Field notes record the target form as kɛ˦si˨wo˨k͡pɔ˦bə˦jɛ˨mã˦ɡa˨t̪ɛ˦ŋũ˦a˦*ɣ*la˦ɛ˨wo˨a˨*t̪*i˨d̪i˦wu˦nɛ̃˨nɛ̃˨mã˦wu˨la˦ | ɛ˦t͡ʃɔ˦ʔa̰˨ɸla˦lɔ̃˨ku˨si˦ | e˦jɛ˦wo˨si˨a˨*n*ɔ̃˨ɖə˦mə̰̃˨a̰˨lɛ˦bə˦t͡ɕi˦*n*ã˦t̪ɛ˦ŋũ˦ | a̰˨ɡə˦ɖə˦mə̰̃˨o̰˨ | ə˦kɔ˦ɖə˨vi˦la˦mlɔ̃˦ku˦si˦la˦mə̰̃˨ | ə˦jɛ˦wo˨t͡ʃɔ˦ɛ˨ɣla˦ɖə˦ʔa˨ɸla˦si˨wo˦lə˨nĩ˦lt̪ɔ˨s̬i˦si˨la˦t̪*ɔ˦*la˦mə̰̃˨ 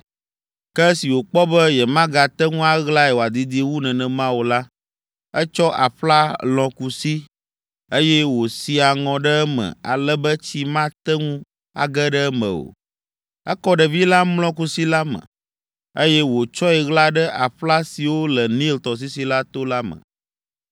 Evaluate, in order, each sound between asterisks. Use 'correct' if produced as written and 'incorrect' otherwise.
correct, incorrect: d̪, incorrect: ŋ, incorrect: m, incorrect: o˦

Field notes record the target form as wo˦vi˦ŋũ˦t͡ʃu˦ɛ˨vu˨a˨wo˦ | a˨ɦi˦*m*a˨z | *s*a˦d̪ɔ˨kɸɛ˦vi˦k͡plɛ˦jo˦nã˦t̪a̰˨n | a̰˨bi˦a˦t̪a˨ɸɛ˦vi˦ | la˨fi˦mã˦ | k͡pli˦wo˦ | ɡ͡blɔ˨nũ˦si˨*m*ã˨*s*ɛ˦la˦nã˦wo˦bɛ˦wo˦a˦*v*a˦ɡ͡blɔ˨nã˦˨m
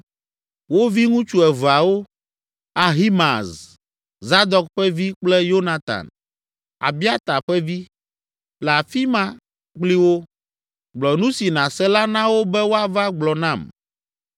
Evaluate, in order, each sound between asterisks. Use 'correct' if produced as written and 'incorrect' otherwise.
correct, incorrect: z, incorrect: n, correct, correct

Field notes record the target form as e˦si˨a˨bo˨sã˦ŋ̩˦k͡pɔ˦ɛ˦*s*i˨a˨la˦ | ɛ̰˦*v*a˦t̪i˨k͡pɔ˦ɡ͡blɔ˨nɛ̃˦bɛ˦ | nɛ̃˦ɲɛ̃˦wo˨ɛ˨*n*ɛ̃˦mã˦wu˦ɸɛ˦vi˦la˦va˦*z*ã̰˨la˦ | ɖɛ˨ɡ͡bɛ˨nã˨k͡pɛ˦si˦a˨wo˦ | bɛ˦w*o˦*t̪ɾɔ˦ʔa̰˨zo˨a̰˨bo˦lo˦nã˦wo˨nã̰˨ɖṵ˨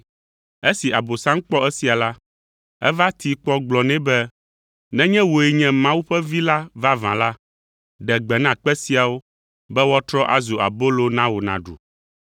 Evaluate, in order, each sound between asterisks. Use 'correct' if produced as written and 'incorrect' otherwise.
correct, correct, incorrect: ɲ, incorrect: v, incorrect: ɔ˦

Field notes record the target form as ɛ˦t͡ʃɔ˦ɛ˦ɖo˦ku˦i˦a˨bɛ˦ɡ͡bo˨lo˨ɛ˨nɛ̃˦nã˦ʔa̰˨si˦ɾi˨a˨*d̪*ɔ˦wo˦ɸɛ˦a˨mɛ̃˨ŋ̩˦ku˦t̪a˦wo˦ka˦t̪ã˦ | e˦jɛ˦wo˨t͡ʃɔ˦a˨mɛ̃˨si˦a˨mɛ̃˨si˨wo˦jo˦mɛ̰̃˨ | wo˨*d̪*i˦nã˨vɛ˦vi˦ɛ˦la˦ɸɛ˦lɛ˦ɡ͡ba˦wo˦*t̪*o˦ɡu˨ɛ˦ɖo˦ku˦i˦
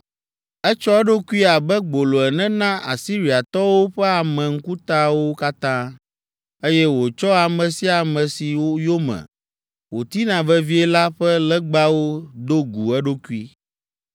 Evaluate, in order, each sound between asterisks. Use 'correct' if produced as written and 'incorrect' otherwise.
incorrect: t̪, incorrect: t̪, incorrect: d̪

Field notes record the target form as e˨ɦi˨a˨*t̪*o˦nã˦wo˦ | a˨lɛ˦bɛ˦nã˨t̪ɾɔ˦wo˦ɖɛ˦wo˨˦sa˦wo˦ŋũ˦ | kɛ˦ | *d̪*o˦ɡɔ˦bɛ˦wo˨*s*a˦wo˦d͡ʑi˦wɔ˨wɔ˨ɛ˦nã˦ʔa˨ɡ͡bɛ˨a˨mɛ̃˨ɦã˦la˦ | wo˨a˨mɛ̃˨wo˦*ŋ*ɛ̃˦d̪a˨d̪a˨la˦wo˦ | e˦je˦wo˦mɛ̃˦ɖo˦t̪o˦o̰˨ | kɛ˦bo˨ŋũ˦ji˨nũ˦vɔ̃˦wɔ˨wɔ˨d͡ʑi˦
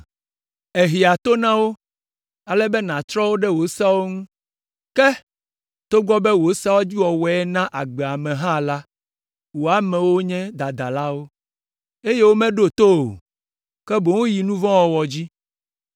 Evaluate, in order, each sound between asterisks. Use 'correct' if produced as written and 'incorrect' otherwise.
correct, incorrect: t̪, correct, incorrect: ɲ

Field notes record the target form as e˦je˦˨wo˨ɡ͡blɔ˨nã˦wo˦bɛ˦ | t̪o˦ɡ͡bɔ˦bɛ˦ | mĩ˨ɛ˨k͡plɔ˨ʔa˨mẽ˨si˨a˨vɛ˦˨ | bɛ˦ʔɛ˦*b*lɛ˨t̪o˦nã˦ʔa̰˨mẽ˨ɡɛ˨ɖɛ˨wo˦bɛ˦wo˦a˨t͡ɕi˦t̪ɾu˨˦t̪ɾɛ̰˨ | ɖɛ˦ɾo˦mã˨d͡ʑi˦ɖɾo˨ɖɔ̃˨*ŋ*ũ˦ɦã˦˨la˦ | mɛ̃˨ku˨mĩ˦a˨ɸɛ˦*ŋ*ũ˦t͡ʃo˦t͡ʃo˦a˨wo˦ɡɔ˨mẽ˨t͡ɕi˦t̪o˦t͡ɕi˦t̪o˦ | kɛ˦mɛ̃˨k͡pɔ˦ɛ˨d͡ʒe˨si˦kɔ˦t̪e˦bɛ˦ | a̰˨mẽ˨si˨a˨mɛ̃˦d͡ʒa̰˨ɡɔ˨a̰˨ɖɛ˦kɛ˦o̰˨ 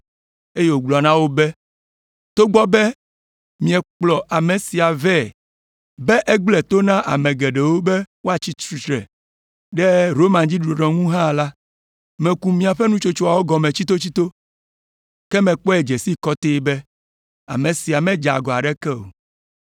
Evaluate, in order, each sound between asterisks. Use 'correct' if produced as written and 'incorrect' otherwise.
incorrect: ɡ͡b, correct, incorrect: n

